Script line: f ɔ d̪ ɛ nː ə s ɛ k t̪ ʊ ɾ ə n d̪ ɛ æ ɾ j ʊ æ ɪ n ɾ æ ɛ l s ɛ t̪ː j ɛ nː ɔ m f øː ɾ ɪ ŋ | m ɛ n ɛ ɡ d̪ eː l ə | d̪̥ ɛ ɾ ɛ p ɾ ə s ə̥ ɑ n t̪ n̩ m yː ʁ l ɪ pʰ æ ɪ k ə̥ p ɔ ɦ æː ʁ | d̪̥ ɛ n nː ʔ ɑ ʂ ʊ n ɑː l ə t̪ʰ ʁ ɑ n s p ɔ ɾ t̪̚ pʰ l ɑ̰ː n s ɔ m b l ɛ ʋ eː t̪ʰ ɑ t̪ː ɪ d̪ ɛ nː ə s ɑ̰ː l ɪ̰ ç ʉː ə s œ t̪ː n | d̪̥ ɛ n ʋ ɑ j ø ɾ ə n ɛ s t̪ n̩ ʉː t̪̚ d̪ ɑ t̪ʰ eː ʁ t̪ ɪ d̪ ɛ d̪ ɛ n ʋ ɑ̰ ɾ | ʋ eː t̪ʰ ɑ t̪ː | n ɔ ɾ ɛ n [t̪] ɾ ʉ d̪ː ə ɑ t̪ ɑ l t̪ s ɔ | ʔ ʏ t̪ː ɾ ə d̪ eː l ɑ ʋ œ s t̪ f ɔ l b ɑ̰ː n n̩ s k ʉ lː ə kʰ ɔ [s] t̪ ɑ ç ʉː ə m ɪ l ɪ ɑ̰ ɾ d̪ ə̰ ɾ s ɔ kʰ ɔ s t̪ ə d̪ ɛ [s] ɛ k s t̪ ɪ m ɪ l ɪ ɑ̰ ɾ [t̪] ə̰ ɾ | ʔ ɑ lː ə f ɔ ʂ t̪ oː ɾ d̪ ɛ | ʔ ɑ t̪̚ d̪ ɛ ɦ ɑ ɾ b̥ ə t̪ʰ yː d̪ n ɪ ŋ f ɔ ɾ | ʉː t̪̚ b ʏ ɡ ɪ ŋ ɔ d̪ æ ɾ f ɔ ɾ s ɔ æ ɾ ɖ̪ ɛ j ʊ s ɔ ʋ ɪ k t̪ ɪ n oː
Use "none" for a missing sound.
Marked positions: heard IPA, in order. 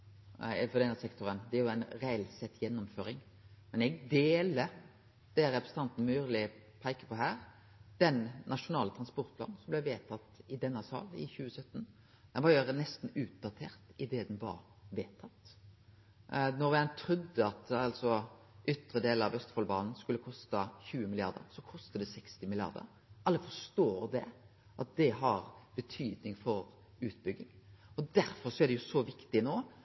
t̪ʰ, s, s, d̪

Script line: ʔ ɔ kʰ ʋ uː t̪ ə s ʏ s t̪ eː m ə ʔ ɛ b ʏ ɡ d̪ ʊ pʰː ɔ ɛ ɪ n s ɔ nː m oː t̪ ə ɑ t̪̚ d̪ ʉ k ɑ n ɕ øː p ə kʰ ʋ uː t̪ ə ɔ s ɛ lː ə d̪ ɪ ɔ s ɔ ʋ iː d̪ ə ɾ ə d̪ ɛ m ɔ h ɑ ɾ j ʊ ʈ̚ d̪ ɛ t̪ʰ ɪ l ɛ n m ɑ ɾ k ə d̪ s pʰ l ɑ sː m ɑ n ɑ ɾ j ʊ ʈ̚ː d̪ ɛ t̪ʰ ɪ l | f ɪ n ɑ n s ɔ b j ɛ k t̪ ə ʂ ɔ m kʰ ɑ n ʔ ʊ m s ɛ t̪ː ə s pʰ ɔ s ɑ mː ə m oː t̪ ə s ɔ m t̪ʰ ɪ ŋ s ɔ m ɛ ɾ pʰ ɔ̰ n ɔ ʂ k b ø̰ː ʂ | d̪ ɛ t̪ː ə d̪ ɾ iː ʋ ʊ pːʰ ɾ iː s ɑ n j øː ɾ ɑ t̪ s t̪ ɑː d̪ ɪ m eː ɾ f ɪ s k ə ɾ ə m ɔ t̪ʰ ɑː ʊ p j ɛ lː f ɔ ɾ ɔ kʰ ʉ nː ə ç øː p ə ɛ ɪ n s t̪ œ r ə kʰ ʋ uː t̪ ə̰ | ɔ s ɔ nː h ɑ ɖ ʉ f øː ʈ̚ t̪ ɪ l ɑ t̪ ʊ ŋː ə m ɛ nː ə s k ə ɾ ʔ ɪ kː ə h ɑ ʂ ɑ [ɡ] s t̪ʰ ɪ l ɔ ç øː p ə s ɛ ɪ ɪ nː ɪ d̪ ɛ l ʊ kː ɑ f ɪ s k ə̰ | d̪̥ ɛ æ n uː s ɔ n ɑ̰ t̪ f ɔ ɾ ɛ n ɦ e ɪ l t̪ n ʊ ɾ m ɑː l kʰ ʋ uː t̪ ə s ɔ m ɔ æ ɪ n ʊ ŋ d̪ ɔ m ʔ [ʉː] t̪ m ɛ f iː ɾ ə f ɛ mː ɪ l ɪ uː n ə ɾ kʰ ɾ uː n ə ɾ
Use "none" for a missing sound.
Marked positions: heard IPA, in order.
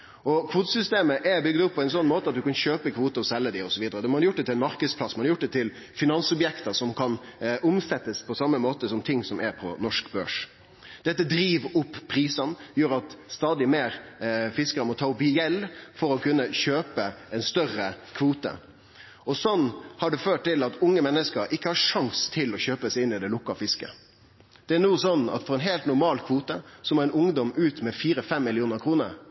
ŋ, ʉː

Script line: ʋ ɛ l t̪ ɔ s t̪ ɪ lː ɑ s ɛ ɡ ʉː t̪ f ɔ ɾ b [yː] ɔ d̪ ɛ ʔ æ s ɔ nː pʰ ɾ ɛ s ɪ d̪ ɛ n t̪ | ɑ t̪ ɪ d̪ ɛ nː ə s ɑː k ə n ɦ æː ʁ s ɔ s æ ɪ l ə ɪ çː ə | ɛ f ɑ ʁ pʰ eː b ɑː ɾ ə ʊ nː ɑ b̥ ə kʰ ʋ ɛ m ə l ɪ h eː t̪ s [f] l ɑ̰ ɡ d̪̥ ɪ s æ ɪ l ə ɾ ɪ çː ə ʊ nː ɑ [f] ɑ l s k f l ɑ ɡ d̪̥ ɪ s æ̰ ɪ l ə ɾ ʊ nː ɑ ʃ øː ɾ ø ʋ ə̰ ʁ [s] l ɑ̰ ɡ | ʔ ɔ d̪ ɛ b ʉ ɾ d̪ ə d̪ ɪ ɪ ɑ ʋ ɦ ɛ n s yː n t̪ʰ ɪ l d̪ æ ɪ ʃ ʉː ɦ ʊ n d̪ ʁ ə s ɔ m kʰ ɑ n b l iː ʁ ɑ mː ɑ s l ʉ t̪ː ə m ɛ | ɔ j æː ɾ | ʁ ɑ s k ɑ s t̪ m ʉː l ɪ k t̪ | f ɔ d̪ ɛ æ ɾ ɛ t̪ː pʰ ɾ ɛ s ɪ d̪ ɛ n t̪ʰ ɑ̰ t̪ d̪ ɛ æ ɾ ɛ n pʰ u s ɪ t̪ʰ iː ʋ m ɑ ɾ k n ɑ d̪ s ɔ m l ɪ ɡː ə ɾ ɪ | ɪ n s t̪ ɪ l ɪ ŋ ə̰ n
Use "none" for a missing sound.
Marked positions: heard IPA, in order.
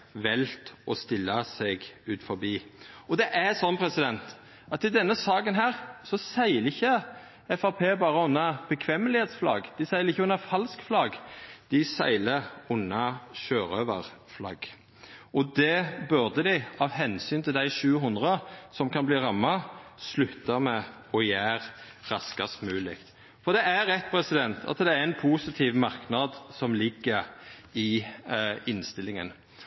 iː, f, f, f

